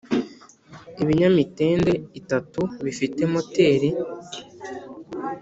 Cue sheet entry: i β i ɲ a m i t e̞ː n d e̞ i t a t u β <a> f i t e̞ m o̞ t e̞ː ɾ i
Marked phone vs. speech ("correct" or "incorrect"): incorrect